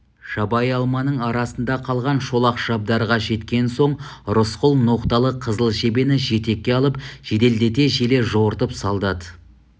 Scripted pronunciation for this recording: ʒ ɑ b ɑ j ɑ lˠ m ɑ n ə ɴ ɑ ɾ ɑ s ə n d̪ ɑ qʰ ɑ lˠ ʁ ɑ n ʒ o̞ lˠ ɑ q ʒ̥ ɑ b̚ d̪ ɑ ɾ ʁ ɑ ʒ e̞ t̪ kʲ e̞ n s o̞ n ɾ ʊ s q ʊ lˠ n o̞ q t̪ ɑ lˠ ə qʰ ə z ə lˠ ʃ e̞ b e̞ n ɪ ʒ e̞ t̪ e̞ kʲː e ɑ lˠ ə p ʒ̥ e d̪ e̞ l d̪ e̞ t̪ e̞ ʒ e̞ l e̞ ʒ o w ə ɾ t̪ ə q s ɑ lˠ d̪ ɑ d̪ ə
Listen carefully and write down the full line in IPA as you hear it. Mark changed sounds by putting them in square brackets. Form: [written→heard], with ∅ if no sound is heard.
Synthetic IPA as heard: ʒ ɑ b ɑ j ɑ lˠ m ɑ n ə ɴ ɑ ɾ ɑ s ə n d̪ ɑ qʰ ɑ lˠ ʁ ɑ n [ʒ→ʃ] o̞ lˠ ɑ q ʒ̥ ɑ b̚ d̪ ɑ ɾ ʁ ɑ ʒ e̞ t̪ kʲ e̞ n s o̞ [n→ɴ] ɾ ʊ s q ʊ lˠ n o̞ q t̪ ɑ lˠ ə qʰ ə z ə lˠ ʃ e̞ b e̞ n ɪ ʒ e̞ t̪ e̞ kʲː e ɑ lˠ ə p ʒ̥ e d̪ e̞ l d̪ e̞ t̪ e̞ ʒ e̞ l e̞ ʒ o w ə ɾ t̪ ə [q→p] s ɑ lˠ d̪ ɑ d̪ ə

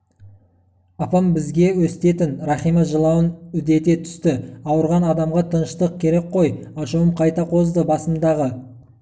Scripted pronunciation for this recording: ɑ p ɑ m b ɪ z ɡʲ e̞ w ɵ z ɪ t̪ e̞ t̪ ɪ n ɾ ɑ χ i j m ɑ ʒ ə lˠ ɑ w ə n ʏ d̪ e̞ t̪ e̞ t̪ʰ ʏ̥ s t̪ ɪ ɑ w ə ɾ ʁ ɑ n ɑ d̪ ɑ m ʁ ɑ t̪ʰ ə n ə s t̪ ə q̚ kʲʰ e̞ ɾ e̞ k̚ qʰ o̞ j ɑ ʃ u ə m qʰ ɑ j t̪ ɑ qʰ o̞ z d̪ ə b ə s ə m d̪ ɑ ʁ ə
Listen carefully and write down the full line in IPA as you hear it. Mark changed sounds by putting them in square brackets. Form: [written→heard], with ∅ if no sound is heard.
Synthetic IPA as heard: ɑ p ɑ m b ɪ z ɡʲ e̞ w ɵ [z→s] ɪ t̪ e̞ t̪ ɪ n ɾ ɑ χ i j m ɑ ʒ ə lˠ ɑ w ə n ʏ d̪ e̞ t̪ e̞ t̪ʰ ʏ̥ s t̪ ɪ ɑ w ə ɾ ʁ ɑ n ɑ d̪ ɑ m ʁ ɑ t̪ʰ ə n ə [s→ʃ] t̪ ə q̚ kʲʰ e̞ ɾ e̞ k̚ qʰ o̞ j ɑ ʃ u ə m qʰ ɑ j t̪ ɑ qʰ o̞ z d̪ ə b [ə→ɑ] s ə m d̪ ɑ ʁ ə

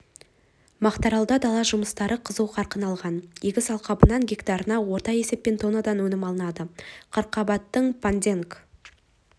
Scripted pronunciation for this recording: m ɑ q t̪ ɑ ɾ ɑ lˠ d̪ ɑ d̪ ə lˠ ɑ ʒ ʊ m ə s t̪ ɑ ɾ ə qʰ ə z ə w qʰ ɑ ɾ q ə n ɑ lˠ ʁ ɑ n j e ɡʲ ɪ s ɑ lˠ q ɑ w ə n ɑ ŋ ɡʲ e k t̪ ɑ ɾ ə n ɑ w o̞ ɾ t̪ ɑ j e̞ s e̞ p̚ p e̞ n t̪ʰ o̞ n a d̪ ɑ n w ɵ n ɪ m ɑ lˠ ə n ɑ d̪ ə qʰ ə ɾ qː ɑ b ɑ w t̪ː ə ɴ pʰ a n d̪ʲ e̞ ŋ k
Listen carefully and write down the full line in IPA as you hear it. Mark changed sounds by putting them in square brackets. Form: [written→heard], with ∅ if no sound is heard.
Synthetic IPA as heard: m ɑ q t̪ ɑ ɾ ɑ lˠ d̪ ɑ d̪ [ə→ɑ] lˠ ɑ ʒ ʊ m ə s t̪ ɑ ɾ ə qʰ ə z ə w qʰ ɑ ɾ q ə n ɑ lˠ ʁ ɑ n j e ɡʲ ɪ s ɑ lˠ q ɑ [w→b] ə n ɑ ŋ ɡʲ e k t̪ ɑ ɾ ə n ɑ w o̞ ɾ t̪ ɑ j e̞ s e̞ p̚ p e̞ n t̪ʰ o̞ n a d̪ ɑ n w ɵ n ɪ m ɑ lˠ ə n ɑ d̪ ə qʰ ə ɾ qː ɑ b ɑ [w→∅] t̪ː ə ɴ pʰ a n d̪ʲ e̞ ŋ k

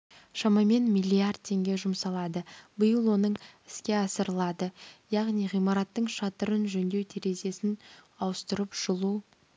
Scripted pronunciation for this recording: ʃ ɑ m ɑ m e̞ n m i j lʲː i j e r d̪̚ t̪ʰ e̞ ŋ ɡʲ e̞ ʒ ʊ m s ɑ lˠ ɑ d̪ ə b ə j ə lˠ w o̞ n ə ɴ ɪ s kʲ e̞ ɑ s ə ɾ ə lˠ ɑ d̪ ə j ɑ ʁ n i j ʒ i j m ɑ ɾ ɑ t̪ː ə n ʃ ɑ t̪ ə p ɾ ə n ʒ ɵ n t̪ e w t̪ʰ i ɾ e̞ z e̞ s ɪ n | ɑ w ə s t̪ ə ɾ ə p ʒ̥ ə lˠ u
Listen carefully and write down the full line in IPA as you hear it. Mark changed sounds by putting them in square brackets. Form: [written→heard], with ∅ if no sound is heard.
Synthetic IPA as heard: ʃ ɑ m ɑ m e̞ n m i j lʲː i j [e→a] r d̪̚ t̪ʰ e̞ ŋ ɡʲ e̞ ʒ ʊ m s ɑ lˠ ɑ d̪ ə b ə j ə lˠ w o̞ n ə ɴ ɪ s kʲ e̞ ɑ s ə ɾ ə lˠ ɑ d̪ ə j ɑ ʁ n i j [ʒ→ʁ] i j m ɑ ɾ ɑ t̪ː ə [n→ɴ] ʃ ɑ t̪ ə [p→∅] ɾ ə n ʒ ɵ n [t̪→d̪] e w t̪ʰ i ɾ e̞ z e̞ s ɪ n | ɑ w ə s t̪ ə ɾ ə p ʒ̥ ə lˠ u

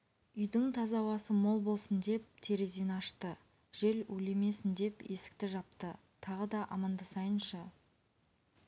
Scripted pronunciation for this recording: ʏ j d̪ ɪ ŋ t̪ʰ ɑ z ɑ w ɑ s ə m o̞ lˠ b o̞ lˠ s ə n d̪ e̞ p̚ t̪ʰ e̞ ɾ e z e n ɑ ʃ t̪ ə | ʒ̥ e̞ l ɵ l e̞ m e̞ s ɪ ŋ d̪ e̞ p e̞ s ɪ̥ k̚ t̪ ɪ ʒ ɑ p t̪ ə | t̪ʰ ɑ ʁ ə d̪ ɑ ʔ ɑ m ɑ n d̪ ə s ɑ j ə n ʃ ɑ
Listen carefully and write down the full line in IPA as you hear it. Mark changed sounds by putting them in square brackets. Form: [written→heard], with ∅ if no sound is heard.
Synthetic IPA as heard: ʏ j d̪ ɪ ŋ t̪ʰ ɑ z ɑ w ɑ s ə m o̞ lˠ b o̞ lˠ s ə n d̪ e̞ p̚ t̪ʰ e̞ ɾ e z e n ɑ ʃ t̪ ə | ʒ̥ e̞ l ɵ l e̞ m e̞ s ɪ [ŋ→n] d̪ e̞ p e̞ s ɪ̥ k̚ t̪ ɪ ʒ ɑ p t̪ ə | t̪ʰ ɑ ʁ ə d̪ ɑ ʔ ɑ m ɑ n d̪ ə s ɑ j ə n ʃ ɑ

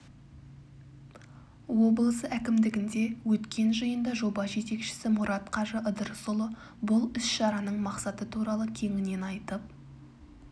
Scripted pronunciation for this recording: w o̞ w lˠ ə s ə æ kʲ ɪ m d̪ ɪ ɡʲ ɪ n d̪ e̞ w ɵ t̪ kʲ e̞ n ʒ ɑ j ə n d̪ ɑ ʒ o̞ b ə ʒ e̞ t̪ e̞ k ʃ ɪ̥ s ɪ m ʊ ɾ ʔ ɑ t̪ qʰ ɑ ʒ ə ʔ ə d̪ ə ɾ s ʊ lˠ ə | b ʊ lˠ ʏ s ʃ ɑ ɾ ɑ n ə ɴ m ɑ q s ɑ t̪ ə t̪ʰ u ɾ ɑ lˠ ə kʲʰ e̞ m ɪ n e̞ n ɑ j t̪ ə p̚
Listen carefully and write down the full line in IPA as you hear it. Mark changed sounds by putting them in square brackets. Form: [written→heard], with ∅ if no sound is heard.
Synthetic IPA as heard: w o̞ [w→b] lˠ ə s ə æ kʲ ɪ m d̪ ɪ ɡʲ ɪ n d̪ e̞ w ɵ t̪ kʲ e̞ n ʒ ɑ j ə n d̪ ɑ ʒ o̞ b [ə→ɑ] ʒ e̞ t̪ e̞ k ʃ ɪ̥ s ɪ m ʊ ɾ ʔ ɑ t̪ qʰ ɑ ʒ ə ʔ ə d̪ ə ɾ s ʊ lˠ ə | b ʊ lˠ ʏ s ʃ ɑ ɾ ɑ n ə ɴ m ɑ q s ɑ t̪ ə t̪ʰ u ɾ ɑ lˠ ə kʲʰ e̞ [m→ŋ] ɪ n e̞ n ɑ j t̪ ə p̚

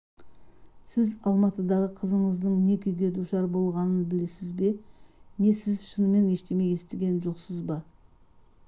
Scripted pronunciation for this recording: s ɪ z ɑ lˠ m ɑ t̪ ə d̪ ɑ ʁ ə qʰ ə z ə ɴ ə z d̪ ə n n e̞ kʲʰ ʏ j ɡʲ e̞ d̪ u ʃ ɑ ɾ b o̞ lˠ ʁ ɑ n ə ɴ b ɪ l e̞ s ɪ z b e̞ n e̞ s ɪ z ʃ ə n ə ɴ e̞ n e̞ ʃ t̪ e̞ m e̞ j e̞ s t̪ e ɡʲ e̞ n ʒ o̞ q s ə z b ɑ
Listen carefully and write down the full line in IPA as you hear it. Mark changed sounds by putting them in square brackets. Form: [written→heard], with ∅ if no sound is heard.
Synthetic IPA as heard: s ɪ z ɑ lˠ m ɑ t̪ ə d̪ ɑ ʁ ə qʰ ə z ə ɴ ə z d̪ ə [n→ɴ] n e̞ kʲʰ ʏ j ɡʲ e̞ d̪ u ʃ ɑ ɾ b o̞ lˠ ʁ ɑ n ə [ɴ→n] b ɪ l e̞ s ɪ z b e̞ n e̞ s ɪ z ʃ ə n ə [ɴ→m] e̞ n e̞ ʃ t̪ e̞ m e̞ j e̞ s t̪ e ɡʲ e̞ n ʒ o̞ q s ə z b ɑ

